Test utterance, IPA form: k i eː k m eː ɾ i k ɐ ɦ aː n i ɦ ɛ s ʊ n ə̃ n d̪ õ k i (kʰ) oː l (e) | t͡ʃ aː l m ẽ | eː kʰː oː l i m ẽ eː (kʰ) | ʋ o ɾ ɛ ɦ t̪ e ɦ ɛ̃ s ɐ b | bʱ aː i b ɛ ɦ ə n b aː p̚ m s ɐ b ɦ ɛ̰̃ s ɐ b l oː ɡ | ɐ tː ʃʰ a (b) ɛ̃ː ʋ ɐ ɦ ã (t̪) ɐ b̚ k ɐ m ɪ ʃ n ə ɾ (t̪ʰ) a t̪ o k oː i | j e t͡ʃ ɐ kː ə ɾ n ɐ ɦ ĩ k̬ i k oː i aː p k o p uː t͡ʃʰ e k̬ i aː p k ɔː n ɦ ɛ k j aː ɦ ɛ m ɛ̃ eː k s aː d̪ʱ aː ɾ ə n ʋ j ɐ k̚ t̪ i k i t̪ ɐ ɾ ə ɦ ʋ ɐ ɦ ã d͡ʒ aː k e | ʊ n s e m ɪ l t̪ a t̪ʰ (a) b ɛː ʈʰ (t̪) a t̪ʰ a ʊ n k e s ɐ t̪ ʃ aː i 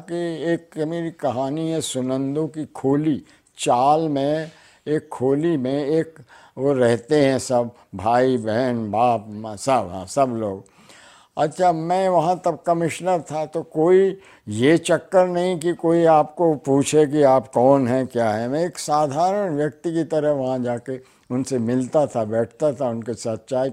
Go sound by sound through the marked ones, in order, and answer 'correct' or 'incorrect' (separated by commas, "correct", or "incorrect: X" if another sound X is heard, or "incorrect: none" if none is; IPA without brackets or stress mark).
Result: correct, incorrect: i, incorrect: k, incorrect: m, correct, correct, correct, correct